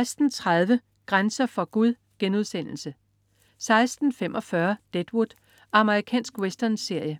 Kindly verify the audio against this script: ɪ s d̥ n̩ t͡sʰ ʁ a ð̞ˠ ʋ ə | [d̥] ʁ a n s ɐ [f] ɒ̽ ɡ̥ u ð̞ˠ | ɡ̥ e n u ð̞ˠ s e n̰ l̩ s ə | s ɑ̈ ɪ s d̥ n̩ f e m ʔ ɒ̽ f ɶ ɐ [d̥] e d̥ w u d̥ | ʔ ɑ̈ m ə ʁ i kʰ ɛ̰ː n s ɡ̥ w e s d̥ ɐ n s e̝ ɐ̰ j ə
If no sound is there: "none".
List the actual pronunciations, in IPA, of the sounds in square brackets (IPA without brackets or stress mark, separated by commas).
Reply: ɡ̥, f, d̥